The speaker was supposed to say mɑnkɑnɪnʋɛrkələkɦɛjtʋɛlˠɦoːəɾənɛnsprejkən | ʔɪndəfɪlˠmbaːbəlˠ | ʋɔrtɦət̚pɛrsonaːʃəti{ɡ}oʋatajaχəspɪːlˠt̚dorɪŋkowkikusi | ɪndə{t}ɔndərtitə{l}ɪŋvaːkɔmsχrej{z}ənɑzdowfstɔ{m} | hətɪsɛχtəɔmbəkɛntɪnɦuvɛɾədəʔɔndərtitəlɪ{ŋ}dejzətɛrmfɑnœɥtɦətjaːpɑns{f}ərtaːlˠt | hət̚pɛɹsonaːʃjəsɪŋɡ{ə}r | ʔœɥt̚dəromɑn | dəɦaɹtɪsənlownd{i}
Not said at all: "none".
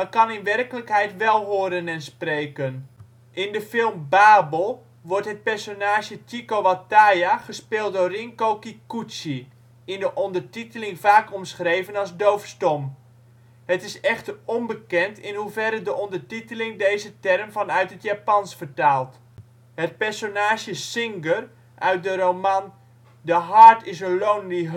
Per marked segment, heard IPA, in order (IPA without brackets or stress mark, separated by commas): k, ʔ, l, v, m, ŋ, f, ə, i